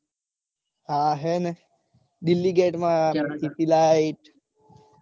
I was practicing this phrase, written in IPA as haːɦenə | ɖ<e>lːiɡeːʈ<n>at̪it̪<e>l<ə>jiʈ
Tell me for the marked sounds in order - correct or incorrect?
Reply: incorrect, incorrect, incorrect, incorrect

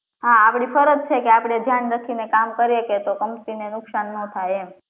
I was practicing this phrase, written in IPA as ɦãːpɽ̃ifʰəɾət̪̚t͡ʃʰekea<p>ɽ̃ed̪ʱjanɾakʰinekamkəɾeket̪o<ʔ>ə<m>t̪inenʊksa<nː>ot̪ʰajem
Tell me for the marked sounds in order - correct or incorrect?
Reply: correct, incorrect, correct, correct

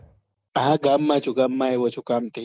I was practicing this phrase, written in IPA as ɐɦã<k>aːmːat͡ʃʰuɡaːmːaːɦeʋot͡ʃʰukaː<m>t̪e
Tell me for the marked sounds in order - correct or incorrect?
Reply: incorrect, correct

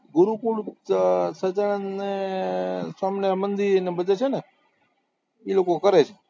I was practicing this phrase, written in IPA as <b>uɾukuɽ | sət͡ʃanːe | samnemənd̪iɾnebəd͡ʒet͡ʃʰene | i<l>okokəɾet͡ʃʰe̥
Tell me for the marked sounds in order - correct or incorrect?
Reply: incorrect, correct

